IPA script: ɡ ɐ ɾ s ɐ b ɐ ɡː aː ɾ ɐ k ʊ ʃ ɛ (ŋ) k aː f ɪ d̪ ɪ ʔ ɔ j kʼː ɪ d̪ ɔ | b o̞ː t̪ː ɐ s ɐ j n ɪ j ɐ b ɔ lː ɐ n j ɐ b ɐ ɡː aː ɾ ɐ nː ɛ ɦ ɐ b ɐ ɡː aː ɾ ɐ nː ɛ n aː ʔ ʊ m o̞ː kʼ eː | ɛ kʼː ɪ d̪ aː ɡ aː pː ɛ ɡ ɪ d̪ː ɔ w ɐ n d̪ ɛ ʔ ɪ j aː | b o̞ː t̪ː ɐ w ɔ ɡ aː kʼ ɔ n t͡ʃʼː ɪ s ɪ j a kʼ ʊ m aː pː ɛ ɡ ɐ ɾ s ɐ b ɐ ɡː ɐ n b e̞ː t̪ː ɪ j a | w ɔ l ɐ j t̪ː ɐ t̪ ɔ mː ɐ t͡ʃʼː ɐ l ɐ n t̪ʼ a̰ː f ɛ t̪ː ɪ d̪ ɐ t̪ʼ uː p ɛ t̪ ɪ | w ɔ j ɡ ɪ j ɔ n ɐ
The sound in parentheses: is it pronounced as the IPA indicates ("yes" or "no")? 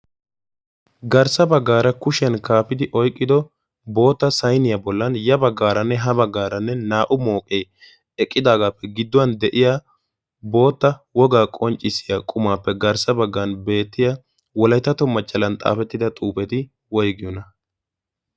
no